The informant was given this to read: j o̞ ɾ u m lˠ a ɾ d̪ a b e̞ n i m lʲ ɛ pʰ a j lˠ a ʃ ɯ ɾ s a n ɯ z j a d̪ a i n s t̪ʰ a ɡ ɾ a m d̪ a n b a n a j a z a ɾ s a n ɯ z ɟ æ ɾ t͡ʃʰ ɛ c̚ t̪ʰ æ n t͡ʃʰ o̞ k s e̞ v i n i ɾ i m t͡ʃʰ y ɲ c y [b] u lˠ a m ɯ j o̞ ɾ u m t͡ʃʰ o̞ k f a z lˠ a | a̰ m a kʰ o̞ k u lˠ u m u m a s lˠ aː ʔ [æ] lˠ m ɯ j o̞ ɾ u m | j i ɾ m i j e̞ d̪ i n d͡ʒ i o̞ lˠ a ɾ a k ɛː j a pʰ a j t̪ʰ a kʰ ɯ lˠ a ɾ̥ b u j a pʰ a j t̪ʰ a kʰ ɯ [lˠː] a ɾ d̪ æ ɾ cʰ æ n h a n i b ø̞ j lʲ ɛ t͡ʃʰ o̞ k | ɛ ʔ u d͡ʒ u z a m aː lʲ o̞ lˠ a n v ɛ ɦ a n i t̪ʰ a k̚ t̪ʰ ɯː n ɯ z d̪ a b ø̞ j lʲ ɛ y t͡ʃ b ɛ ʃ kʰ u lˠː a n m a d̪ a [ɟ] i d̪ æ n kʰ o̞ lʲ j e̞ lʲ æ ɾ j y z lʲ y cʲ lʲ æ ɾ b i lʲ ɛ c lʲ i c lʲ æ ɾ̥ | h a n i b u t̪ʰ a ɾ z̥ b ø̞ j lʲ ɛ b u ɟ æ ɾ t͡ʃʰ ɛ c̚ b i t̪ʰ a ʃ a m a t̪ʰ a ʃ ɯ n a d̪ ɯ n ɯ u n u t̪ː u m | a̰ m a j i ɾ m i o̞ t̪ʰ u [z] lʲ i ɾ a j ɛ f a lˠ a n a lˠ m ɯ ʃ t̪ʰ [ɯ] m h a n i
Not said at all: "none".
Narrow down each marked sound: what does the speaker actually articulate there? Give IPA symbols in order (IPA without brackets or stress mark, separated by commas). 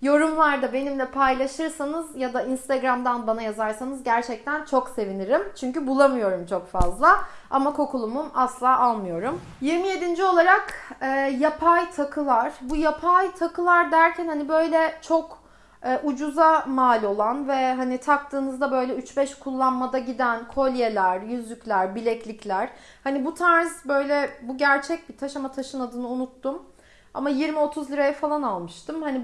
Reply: b, a, lˠ, ɟ, z, ɯ